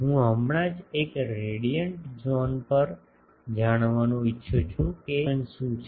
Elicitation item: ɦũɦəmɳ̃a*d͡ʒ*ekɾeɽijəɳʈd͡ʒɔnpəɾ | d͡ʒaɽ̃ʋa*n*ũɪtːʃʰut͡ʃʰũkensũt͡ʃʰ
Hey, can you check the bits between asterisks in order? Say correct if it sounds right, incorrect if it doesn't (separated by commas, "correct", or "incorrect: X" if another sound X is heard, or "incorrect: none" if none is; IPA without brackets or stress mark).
correct, correct